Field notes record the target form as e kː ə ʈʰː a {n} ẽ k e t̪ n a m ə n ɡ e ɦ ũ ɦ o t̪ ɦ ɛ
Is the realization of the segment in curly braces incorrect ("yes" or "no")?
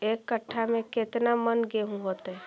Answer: yes